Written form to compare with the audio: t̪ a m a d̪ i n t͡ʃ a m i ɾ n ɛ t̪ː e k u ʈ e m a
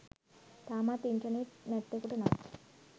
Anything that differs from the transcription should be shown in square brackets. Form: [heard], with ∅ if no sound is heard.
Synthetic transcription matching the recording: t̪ a m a [t̪] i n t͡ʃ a [n] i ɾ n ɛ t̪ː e k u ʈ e [n] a